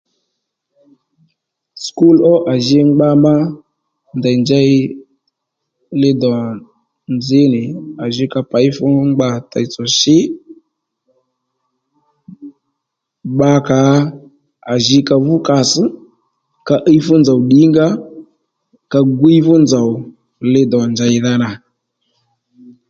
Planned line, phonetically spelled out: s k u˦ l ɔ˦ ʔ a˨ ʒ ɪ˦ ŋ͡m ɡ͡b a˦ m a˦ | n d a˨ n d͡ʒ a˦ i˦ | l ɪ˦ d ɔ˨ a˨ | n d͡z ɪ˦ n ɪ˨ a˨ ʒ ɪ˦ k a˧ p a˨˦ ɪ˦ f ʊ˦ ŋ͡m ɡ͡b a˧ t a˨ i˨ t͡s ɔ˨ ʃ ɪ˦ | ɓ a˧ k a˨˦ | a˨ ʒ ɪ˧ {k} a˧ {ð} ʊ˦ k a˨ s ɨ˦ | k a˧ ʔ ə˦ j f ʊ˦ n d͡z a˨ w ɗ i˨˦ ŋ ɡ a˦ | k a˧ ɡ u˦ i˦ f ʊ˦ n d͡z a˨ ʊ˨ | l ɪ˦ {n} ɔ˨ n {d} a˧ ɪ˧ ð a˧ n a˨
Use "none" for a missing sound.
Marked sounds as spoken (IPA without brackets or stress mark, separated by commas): k, v, d, d͡ʒ